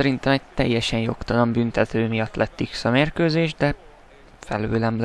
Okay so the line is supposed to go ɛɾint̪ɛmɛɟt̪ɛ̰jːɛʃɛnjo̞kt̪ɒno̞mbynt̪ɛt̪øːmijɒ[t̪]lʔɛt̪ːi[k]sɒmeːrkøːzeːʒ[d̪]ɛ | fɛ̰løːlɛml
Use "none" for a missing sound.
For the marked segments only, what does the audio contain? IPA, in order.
t̪, k, d̪

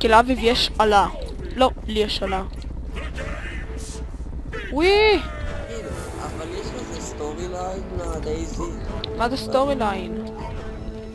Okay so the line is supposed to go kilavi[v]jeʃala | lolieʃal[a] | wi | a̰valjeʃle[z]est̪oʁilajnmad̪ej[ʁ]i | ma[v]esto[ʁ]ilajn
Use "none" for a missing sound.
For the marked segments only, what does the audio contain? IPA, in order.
v, a, z, z, z, ʁ

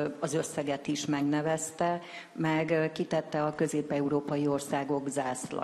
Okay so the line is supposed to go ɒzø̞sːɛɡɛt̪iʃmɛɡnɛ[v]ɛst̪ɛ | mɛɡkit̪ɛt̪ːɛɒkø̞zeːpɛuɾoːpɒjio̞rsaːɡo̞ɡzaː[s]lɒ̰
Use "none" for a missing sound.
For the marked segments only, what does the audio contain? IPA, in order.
v, s

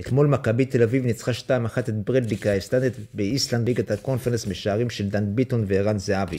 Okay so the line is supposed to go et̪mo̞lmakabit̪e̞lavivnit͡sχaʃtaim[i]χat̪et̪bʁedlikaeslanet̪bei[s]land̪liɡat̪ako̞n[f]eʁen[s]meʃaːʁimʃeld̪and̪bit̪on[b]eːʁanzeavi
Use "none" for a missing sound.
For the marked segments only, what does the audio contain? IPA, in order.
a, s, f, s, v

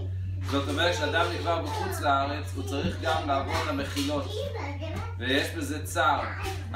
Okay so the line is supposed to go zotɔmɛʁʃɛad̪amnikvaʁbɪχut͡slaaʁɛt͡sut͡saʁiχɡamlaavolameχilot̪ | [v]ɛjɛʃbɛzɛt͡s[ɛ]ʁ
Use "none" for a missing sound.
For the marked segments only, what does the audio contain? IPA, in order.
v, a

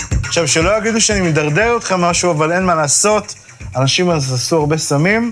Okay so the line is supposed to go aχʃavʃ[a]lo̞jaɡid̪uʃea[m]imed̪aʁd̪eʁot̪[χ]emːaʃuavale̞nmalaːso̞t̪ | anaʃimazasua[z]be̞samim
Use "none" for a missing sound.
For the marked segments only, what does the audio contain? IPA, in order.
e, n, χ, ʁ

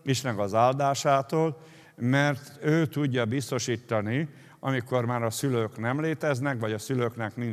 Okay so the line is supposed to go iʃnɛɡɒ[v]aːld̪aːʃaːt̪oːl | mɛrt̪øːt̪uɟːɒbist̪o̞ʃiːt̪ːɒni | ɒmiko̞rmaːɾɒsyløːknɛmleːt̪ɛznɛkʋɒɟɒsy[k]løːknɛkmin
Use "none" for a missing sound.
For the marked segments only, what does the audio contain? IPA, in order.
z, none

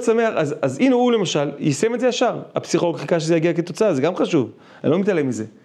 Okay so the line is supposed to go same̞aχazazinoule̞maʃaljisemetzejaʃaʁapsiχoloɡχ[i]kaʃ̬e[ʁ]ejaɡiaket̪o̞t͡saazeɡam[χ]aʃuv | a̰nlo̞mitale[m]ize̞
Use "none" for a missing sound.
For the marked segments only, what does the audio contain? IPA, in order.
i, z, χ, m

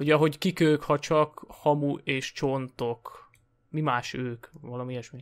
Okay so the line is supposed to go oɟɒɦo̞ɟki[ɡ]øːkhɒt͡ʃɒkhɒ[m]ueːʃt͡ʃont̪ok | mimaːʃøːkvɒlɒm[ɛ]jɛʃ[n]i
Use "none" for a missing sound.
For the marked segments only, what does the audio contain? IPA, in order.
k, m, i, m

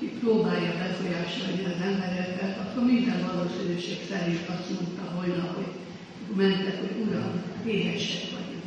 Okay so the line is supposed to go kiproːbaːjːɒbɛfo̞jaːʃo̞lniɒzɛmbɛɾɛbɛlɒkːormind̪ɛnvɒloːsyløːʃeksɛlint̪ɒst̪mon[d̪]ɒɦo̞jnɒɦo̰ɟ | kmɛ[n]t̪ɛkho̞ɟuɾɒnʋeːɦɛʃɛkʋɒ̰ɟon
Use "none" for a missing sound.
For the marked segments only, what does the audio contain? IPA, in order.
t̪, n

